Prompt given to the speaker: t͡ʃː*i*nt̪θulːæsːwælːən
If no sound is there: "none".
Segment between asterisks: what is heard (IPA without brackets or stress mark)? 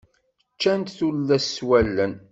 æ